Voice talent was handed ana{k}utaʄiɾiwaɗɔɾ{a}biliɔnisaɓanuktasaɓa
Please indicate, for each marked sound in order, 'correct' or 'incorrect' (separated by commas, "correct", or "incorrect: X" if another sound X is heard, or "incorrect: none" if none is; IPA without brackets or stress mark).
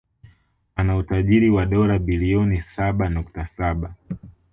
incorrect: none, correct